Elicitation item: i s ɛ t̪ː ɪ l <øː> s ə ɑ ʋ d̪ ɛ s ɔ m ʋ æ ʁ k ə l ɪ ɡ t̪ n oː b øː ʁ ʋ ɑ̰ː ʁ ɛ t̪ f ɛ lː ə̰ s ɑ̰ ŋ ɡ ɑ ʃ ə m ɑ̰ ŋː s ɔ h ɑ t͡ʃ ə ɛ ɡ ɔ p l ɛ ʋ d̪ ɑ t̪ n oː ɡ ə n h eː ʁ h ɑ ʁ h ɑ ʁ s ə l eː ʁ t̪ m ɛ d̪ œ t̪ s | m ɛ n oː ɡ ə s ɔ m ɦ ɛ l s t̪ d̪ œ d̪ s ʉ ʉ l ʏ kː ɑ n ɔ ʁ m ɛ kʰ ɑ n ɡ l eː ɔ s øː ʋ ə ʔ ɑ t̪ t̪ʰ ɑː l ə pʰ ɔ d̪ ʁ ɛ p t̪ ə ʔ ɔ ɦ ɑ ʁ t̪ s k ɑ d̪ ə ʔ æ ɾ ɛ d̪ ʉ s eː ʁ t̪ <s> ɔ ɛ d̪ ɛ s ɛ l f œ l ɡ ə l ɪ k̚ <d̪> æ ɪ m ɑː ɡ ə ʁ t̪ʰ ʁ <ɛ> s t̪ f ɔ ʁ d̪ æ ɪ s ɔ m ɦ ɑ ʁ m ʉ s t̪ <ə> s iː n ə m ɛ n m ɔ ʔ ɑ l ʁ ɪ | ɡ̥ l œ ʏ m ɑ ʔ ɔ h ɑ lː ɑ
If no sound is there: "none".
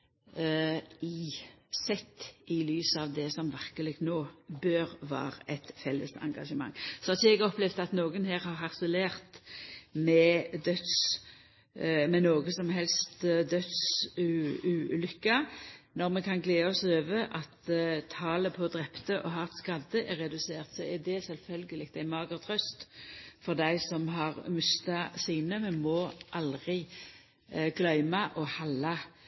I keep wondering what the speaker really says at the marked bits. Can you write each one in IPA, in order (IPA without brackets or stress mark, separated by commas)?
yː, s, t̪, œ, ɑ